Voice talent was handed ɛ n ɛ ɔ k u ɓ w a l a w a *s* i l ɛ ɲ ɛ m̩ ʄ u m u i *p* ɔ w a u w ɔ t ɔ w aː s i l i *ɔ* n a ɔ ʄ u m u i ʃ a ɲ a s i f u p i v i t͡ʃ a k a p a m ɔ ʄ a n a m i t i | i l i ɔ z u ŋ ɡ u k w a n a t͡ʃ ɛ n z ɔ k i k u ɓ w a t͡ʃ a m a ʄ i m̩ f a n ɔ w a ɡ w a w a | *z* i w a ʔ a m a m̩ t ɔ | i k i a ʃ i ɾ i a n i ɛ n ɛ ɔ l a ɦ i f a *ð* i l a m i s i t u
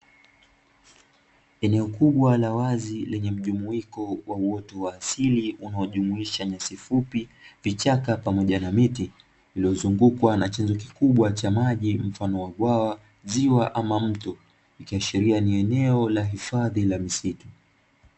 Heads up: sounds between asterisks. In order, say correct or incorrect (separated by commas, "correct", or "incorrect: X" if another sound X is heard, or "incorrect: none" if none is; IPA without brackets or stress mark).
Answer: incorrect: z, incorrect: k, incorrect: u, correct, correct